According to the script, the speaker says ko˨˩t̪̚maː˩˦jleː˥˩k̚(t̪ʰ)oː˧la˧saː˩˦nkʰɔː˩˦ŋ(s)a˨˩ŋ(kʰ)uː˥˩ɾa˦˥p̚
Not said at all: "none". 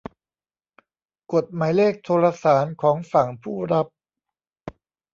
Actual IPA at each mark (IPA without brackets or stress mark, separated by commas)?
t̪ʰ, f, pʰ